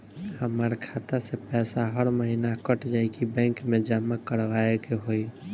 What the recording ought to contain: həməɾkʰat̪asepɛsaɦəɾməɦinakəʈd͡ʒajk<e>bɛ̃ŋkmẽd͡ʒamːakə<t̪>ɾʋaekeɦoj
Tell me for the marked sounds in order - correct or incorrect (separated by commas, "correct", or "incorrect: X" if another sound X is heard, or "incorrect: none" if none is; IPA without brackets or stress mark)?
incorrect: i, incorrect: none